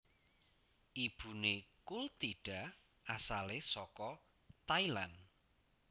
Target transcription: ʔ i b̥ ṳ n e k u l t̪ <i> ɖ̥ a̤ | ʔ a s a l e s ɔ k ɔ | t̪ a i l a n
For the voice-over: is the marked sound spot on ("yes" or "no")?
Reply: yes